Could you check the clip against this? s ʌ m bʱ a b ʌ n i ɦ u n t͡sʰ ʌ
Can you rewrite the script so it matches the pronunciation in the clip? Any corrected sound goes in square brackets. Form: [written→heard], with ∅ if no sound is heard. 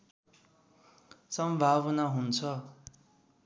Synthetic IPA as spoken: s ʌ m bʱ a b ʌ n [i→a] ɦ u n t͡sʰ ʌ